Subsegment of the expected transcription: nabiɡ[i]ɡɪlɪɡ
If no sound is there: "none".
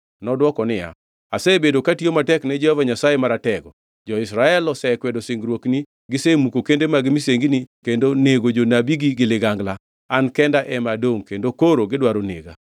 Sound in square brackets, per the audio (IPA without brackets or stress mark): i